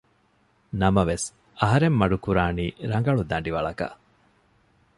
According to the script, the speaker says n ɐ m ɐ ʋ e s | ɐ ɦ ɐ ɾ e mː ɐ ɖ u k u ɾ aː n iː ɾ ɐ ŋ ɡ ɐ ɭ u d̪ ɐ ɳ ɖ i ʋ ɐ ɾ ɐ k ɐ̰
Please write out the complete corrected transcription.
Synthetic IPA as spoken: n ɐ m ɐ ʋ e s | ɐ ɦ ɐ ɾ e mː ɐ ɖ u k u ɾ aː n iː ɾ ɐ ŋ ɡ ɐ ɭ u d̪ ɐ ɳ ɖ i ʋ ɐ ɭ ɐ k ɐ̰